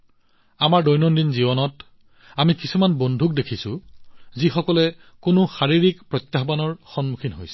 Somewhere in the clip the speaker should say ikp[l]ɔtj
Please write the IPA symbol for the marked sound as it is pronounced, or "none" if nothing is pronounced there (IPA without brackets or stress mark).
ɹ